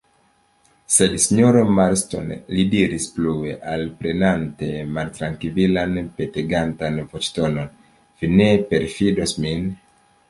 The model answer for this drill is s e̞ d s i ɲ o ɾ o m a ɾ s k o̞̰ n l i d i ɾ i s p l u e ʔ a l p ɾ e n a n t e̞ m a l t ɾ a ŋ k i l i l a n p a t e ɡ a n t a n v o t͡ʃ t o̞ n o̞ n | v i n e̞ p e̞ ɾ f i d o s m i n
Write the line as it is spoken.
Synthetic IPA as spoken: s e̞ d s i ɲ o ɾ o m a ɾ s t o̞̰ n l i d i ɾ i s p l u e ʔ a l p ɾ e n a n t e̞ m a l t ɾ a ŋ k i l i l a n p e t e ɡ a n t a n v o t͡ʃ t o̞ n o̞ n | v i n e̞ p e̞ ɾ f i d o s m i n